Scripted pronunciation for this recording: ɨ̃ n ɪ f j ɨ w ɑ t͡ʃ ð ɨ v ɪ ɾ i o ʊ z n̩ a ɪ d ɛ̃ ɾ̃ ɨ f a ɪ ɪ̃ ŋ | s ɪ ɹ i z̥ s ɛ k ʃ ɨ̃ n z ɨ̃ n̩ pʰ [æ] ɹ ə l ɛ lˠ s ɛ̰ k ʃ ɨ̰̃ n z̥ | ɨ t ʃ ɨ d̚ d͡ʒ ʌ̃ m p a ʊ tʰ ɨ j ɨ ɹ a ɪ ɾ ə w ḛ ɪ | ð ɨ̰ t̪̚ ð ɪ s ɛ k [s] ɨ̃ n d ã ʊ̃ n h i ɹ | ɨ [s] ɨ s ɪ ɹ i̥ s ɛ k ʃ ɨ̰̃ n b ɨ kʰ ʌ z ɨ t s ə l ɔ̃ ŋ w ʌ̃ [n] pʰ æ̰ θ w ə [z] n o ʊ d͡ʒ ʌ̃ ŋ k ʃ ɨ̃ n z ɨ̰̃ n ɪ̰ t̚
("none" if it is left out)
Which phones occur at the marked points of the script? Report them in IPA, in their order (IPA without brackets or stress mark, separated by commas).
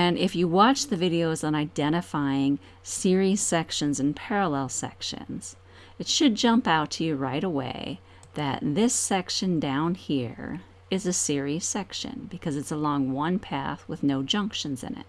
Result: ɛ, ʃ, z, n, ð